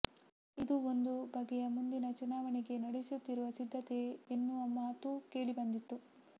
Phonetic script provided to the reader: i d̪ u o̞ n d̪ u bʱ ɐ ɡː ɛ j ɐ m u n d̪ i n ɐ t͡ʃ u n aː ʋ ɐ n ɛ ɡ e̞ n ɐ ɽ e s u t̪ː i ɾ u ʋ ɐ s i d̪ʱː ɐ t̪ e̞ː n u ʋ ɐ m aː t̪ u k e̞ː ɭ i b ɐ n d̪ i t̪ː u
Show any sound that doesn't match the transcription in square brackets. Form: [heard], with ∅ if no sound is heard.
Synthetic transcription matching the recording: i d̪ u o̞ n d̪ u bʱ ɐ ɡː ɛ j ɐ m u n d̪ i n ɐ t͡ʃ u n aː ʋ ɐ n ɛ ɡ e̞ n ɐ ɽ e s u t̪ː i ɾ u ʋ ɐ s i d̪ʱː ɐ t̪ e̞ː [nː] u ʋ ɐ m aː t̪ u k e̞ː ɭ i b ɐ n d̪ i t̪ː u